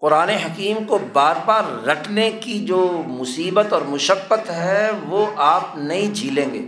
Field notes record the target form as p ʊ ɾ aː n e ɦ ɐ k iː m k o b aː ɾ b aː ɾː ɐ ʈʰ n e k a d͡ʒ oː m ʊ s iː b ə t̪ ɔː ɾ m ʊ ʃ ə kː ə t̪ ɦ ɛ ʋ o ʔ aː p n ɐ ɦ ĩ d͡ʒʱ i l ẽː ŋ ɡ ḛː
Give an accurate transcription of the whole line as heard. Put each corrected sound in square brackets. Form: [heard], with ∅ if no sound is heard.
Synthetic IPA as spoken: [q] ʊ ɾ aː n e ɦ ɐ k iː m k o b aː ɾ b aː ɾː ɐ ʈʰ n e k [i] d͡ʒ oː m ʊ s iː b ə t̪ ɔː ɾ m ʊ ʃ ə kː ə t̪ ɦ ɛ ʋ o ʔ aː p n ɐ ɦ ĩ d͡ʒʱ [iː] l ẽː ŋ ɡ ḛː